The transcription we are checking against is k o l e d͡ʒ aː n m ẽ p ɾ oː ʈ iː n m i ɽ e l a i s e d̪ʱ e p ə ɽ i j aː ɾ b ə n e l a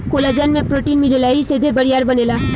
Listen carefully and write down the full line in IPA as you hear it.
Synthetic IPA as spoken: k o l a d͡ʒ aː n m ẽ p ɾ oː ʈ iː n m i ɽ e l a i s e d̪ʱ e b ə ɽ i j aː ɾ b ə n e l a